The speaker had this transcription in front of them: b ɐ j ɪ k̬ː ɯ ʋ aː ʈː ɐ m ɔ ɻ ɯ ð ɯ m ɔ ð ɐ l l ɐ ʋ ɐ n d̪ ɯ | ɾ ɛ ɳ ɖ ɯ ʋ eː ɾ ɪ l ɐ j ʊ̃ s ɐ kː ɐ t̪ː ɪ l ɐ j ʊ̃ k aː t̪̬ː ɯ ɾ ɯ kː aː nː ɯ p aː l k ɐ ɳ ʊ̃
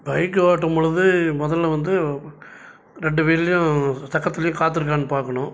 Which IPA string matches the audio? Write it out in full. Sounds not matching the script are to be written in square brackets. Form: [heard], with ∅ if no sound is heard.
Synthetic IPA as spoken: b ɐ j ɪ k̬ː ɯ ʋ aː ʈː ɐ m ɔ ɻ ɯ ð ɯ m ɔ ð ɐ l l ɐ ʋ ɐ n d̪ ɯ | ɾ ɛ ɳ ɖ ɯ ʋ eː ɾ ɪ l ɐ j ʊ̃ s ɐ kː ɐ t̪ː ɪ l ɐ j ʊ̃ k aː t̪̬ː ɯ ɾ ɯ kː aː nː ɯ p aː [ɾ] k ɐ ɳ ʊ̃